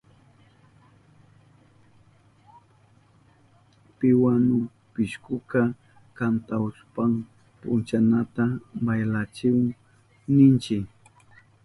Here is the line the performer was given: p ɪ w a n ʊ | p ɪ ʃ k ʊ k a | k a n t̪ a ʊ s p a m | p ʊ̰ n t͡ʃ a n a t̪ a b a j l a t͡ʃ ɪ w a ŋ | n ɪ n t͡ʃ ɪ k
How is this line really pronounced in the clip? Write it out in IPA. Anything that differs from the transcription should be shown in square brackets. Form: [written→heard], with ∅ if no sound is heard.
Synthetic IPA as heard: p ɪ w a n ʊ | p ɪ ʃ k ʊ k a | k a n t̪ a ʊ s p a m | p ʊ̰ n t͡ʃ a n a t̪ a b a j l a t͡ʃ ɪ w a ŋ | n ɪ n t͡ʃ ɪ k

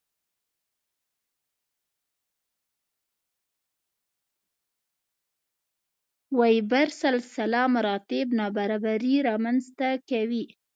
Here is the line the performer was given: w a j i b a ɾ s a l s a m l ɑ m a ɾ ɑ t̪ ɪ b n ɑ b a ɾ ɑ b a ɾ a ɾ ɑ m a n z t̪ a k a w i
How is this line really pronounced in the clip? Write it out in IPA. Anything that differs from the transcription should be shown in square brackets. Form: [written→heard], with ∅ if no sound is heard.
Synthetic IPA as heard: w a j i b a ɾ s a l s a [m→∅] l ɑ m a ɾ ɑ t̪ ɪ b n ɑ b a ɾ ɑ b a ɾ [a→i] ɾ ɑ m a n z t̪ a k a w i

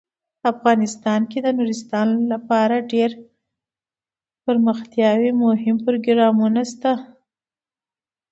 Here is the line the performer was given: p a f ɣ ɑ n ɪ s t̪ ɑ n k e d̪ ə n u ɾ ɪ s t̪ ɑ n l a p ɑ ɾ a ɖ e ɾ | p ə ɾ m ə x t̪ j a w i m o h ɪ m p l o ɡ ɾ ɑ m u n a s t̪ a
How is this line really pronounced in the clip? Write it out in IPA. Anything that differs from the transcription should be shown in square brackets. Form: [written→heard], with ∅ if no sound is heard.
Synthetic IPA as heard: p a f ɣ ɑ n ɪ s t̪ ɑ n k e d̪ ə n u ɾ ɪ s t̪ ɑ n l a p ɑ ɾ a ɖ e ɾ | p ə ɾ m ə x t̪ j [a→ɑ] w i m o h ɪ m p [l→ɾ] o ɡ ɾ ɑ m u n a s t̪ a

